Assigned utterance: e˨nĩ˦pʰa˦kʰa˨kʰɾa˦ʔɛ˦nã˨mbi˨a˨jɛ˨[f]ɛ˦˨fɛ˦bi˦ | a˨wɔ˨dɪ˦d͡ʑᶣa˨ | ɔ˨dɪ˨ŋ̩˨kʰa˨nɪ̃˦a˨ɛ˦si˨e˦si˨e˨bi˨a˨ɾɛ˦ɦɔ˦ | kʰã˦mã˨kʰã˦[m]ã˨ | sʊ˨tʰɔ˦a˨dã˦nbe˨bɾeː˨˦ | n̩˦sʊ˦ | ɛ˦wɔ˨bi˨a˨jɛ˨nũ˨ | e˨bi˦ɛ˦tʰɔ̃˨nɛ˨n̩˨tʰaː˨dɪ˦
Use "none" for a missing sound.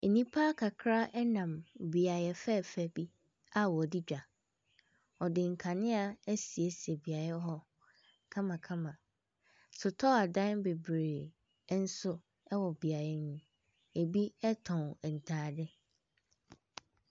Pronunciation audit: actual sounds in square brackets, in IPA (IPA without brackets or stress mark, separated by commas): f, m